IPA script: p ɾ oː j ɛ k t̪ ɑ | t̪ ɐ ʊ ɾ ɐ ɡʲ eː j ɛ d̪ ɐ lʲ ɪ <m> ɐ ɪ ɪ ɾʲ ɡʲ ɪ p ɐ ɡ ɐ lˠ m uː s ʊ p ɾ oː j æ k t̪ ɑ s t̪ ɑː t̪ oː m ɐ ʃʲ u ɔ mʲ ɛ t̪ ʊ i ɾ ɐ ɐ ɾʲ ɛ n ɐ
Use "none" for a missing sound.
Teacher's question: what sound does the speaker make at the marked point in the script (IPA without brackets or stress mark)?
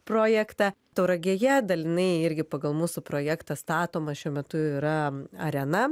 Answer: n